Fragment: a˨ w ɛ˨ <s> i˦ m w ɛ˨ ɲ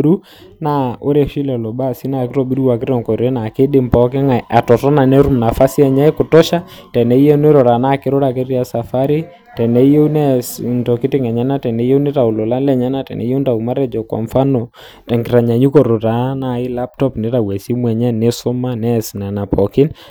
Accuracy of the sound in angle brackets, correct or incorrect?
correct